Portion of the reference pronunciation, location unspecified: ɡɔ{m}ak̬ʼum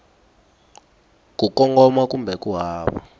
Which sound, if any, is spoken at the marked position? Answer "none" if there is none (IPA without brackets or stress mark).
m